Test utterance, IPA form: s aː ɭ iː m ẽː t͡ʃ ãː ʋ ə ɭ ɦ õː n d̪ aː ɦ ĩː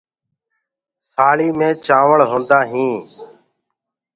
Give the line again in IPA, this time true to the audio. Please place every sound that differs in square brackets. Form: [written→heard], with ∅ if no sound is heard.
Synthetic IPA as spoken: s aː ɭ iː m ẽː t͡ʃ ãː ʋ ə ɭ ɦ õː n d̪ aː ɦ ĩː

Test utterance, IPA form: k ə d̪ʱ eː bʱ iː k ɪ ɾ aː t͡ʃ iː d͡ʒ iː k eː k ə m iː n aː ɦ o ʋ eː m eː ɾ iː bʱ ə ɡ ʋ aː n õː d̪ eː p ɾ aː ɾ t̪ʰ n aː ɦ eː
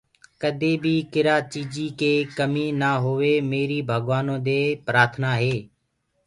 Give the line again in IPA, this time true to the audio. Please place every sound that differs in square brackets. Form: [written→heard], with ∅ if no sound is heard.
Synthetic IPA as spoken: k ə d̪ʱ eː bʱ iː k ɪ ɾ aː t͡ʃ iː d͡ʒ iː k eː k ə m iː n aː ɦ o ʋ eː m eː ɾ iː bʱ ə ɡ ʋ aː n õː d̪ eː p ɾ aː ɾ t̪ʰ n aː ɦ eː

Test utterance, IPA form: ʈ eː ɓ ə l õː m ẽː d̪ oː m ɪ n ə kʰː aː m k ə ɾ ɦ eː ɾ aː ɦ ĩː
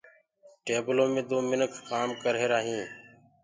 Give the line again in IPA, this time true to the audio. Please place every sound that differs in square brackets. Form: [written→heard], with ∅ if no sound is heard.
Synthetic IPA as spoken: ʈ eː [ɓ→b] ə l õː m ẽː d̪ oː m ɪ n ə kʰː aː m k ə ɾ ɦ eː ɾ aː ɦ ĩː

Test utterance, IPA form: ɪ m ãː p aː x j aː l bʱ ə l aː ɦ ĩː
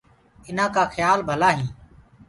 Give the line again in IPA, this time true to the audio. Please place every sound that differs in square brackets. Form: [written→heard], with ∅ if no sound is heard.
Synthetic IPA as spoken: ɪ [m→n] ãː [p→k] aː x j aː l bʱ ə l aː ɦ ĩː

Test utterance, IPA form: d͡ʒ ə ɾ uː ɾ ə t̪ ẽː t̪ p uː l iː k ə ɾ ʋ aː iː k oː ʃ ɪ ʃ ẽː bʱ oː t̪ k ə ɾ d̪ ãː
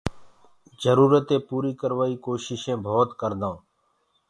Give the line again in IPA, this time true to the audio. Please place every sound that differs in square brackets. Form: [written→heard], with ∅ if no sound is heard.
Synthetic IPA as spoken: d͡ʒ ə ɾ uː ɾ ə t̪ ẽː [t̪→∅] p uː [l→ɾ] iː k ə ɾ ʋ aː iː k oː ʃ ɪ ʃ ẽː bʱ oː t̪ k ə ɾ d̪ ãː

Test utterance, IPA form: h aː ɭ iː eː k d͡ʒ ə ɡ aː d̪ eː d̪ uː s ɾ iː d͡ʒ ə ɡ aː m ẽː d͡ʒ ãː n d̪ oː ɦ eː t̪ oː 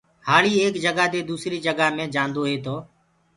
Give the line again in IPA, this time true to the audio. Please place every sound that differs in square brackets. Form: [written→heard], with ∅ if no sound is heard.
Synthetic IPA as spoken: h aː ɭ iː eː k d͡ʒ ə ɡ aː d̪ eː d̪ uː s ɾ iː d͡ʒ ə ɡ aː m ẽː d͡ʒ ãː n d̪ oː ɦ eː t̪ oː

